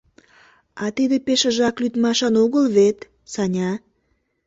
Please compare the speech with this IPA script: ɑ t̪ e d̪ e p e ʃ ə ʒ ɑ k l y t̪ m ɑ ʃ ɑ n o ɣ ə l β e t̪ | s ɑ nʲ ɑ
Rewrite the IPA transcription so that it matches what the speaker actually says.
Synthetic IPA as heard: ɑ t̪ i d̪ e p e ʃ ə ʒ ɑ k l y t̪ m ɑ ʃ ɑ n o ɣ ə l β e t̪ | s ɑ nʲ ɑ